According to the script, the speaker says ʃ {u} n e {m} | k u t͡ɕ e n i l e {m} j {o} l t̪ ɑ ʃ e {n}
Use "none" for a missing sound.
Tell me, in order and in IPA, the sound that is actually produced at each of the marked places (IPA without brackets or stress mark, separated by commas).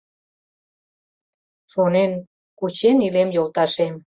o, n, m, o, m